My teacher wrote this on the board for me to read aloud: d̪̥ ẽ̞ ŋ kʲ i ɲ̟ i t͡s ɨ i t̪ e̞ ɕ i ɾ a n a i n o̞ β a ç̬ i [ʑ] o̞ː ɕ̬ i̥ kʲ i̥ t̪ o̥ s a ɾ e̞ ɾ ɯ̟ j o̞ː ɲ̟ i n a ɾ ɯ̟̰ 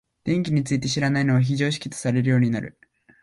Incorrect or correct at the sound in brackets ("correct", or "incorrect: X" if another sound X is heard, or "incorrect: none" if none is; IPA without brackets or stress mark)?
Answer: correct